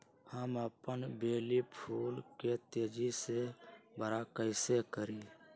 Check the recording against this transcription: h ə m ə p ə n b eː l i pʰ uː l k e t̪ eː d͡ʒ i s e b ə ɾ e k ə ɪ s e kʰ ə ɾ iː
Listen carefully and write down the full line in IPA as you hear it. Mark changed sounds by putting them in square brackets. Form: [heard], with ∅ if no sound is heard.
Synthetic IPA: h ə m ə p ə n b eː l i pʰ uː l k e t̪ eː d͡ʒ i s e b ə ɾ [a] k ə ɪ s e [k] ə ɾ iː